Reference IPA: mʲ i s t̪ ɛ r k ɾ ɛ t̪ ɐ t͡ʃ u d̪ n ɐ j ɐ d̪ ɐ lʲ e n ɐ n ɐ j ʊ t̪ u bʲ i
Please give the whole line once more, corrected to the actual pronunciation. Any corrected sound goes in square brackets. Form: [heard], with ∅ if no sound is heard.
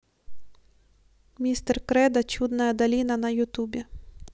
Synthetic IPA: mʲ i s t̪ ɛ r k ɾ ɛ [d̪] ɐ t͡ʃ u d̪ n ɐ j ɐ d̪ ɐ lʲ [i] n ɐ n ɐ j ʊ t̪ u bʲ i